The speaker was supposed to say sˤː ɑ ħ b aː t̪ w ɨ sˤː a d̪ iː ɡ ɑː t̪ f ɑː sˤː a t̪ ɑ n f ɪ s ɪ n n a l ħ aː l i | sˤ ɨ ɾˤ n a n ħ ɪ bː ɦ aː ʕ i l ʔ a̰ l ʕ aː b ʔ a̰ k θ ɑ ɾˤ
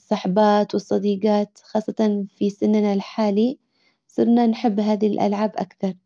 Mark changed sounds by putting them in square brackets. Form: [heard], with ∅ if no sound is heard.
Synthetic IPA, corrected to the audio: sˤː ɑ ħ b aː t̪ w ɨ sˤː [ɑ] d̪ iː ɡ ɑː t̪ [x] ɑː sˤː [ɑ] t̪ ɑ n f [i] s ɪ n n a l ħ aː l i | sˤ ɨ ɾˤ n a n ħ ɪ bː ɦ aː [ð] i l ʔ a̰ l ʕ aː b ʔ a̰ k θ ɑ ɾˤ